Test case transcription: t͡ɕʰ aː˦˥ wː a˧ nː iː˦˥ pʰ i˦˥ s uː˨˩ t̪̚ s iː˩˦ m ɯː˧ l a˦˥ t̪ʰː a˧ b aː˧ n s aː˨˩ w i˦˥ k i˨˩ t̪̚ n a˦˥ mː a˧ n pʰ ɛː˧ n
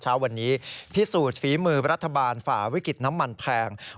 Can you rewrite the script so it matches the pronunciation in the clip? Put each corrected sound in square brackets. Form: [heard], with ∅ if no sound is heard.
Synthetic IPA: t͡ɕʰ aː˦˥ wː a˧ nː iː˦˥ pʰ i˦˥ s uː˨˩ t̪̚ [f] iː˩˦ m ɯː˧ [ɾ] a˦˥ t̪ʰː a˧ b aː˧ n [f] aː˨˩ w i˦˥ k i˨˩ t̪̚ n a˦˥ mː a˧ n pʰ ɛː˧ [ŋ]